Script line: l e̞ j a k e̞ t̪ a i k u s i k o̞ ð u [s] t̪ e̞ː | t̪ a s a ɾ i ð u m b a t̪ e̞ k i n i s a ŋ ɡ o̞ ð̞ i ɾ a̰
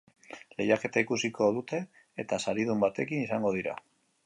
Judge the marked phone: incorrect: none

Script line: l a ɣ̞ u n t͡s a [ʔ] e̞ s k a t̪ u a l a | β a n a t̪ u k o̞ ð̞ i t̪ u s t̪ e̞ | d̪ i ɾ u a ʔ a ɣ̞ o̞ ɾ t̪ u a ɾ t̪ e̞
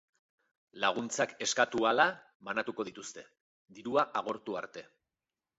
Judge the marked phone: incorrect: k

